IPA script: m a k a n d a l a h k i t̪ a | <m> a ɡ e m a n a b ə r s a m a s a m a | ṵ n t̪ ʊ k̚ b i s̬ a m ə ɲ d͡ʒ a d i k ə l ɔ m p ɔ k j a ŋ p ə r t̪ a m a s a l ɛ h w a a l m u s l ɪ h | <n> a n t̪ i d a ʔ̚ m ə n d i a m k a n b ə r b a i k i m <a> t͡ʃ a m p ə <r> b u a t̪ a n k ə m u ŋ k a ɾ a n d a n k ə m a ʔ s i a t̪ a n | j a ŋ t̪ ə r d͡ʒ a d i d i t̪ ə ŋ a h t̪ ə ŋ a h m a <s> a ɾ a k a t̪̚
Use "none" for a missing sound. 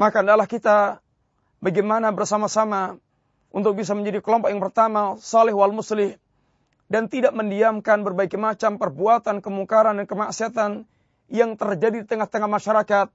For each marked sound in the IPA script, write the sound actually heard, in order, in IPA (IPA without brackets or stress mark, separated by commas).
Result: b, d, a, r, ʃ